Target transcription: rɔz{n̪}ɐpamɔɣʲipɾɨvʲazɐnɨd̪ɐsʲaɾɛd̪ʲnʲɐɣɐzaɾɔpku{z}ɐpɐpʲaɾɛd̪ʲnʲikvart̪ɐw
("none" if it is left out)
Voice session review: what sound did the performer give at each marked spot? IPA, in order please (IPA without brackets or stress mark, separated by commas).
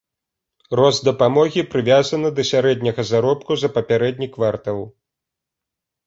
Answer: d̪, z